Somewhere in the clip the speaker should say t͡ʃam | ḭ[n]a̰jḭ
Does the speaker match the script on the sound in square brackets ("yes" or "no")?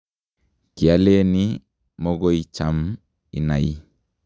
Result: yes